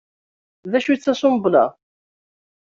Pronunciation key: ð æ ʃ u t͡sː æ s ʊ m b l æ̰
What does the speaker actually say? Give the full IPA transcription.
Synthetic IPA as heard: ð æ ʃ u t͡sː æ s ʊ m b l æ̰

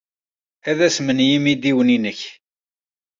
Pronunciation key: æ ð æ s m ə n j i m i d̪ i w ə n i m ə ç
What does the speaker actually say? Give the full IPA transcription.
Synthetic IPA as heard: æ ð æ s m ə n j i m i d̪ i w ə n i n ə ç

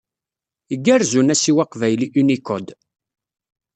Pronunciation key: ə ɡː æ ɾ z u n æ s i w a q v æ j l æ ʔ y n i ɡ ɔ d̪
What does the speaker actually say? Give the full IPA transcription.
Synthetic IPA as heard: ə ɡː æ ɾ z u n æ s i w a q v æ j l i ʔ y n i k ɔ d̪

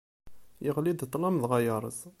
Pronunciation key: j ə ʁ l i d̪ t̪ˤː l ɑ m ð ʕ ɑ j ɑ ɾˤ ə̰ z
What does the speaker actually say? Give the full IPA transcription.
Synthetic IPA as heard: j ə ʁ l i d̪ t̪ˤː l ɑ m ð ʁ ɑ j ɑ ɾˤ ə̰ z

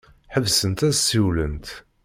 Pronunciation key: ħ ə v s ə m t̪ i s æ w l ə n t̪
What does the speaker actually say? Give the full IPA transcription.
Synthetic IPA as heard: ħ ə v s ə n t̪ æ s i w l ə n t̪

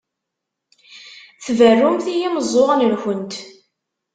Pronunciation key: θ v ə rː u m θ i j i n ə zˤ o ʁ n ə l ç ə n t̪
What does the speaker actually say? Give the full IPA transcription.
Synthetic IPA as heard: θ v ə rː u m θ i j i m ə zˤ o ʁ n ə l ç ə n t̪

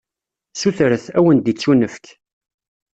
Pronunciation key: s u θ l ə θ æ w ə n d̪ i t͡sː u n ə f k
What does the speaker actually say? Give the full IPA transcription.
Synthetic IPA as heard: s u θ ɾ ə θ æ w ə n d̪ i t͡sː u n ə f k

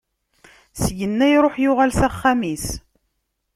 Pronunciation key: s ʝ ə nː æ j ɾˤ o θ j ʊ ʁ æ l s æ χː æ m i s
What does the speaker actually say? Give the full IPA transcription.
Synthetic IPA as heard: s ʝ ə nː æ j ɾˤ o ħ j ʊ ʁ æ l s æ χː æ m i s

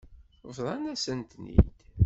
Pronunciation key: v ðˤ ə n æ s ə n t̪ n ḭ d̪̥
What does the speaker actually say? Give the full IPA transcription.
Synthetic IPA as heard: v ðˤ ɑ n æ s ə n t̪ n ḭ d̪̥

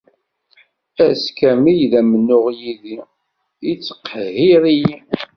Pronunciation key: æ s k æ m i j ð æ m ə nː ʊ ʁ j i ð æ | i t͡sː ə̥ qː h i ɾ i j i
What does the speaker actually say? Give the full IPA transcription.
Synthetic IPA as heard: æ s k æ m i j ð æ m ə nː ʊ ʁ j i ð i | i t͡sː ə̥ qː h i ɾ i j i

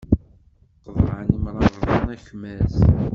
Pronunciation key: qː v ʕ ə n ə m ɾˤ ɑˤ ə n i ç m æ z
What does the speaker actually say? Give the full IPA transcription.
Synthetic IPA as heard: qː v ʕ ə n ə m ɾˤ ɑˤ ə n æ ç m æ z

